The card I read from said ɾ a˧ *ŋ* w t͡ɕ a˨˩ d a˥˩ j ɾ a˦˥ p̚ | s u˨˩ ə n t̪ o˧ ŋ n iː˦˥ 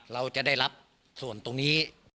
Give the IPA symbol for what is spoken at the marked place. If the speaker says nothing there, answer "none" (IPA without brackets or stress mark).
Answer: none